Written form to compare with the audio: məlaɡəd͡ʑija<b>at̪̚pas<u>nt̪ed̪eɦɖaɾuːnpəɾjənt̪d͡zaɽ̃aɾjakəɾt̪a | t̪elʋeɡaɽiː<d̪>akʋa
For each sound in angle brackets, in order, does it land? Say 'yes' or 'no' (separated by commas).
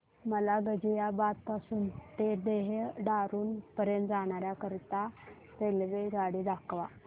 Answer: yes, no, yes